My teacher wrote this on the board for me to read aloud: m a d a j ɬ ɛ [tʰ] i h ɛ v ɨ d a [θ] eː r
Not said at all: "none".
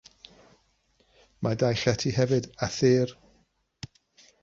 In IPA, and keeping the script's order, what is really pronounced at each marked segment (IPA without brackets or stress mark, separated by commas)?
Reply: tʰ, θ